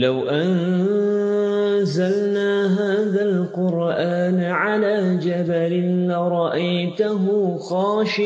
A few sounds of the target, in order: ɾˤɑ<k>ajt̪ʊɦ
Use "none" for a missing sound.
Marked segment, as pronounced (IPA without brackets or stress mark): ʔ